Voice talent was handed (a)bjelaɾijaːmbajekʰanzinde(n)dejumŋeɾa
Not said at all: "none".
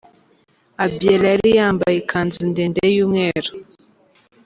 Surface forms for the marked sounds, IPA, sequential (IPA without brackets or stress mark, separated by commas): a, n